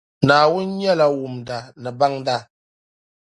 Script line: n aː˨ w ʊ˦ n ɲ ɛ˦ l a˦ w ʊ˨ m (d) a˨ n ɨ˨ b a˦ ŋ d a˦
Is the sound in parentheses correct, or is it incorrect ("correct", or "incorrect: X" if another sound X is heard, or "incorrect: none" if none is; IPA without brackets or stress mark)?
correct